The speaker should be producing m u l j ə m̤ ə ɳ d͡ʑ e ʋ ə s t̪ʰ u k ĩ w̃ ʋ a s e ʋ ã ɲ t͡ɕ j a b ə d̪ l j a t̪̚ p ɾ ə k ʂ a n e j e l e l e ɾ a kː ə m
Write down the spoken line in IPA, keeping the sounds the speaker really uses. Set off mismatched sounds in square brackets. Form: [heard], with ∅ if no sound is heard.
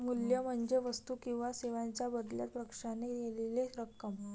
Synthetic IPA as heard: m u l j ə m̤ ə ɳ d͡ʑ e ʋ ə s [t̪] u k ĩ w̃ ʋ a s e ʋ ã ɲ t͡ɕ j a b ə d̪ l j a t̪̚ p ɾ ə k ʂ a n e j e l e l e ɾ [ə] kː ə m